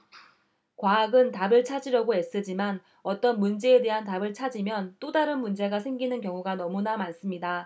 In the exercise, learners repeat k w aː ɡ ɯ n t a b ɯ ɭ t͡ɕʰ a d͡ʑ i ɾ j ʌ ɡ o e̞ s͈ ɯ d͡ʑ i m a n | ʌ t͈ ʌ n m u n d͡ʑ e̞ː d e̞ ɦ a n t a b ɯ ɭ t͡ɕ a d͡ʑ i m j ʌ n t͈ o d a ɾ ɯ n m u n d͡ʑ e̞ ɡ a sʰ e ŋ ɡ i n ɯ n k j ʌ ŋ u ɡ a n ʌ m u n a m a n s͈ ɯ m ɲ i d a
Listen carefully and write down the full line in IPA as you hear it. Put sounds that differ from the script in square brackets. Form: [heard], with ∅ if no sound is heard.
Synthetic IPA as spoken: k w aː ɡ ɯ n t a b ɯ ɭ t͡ɕʰ a d͡ʑ i ɾ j ʌ ɡ o e̞ s͈ ɯ d͡ʑ i m a n | ʌ t͈ ʌ n m u n d͡ʑ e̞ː d e̞ ɦ a n t a b ɯ ɭ [t͡ɕʰ] a d͡ʑ i m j ʌ n t͈ o d a ɾ ɯ n m u n d͡ʑ e̞ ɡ a sʰ e ŋ ɡ i n ɯ n k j ʌ ŋ u ɡ a n ʌ m u n a m a n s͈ ɯ m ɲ i d a